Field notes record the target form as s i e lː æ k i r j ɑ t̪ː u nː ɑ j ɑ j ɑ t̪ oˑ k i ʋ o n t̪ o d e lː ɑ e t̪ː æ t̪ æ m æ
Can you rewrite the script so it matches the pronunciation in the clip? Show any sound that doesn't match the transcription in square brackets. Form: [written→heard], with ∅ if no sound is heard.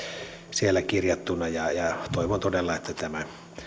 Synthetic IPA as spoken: s i e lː æ k i r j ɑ t̪ː u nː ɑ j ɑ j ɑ t̪ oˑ [k→∅] i ʋ o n t̪ o d e lː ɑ e t̪ː æ t̪ æ m æ